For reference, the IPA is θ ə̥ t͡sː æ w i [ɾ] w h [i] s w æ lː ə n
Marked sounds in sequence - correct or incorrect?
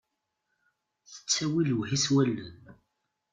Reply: incorrect: l, correct

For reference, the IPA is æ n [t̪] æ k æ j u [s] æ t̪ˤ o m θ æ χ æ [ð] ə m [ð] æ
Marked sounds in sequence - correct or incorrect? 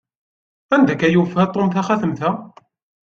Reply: incorrect: d̪, incorrect: f, incorrect: θ, incorrect: θ

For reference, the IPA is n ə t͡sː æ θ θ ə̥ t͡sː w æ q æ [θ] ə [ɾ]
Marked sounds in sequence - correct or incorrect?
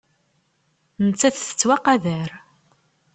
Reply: incorrect: ð, correct

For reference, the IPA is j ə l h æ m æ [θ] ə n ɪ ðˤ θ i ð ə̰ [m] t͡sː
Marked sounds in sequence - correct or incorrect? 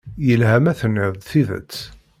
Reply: correct, incorrect: none

